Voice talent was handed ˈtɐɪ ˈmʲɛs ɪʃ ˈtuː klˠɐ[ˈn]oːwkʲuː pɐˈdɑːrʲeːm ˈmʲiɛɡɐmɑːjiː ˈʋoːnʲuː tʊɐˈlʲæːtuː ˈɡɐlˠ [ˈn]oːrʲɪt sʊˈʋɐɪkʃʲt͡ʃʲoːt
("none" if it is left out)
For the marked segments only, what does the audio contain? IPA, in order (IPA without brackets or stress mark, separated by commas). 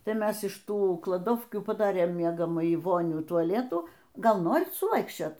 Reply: d, n